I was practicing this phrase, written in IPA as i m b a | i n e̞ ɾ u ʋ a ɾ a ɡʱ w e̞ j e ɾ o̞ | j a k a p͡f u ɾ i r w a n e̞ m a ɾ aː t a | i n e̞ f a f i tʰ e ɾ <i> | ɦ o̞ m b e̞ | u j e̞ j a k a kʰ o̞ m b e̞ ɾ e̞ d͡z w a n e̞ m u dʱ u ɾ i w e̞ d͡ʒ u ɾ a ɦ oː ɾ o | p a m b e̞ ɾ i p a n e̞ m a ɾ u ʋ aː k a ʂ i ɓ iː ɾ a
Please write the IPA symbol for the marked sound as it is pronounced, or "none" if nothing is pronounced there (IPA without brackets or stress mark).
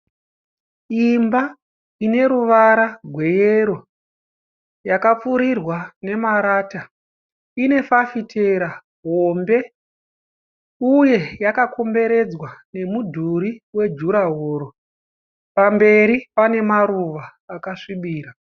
a